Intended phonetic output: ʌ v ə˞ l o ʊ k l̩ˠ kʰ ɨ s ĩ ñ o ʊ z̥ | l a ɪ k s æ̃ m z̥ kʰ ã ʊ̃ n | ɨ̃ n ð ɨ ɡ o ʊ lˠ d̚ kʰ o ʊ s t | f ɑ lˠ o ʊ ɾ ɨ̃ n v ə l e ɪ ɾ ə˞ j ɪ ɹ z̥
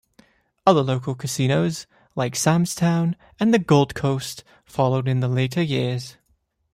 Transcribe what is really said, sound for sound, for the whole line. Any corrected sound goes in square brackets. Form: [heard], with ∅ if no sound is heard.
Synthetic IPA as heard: ʌ [ð] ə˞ l o ʊ k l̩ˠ kʰ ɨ s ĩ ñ o ʊ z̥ | l a ɪ k s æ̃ m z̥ [tʰ] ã ʊ̃ n | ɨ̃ n ð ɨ ɡ o ʊ lˠ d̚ kʰ o ʊ s t | f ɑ lˠ o ʊ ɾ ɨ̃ n [ð] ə l e ɪ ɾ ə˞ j ɪ ɹ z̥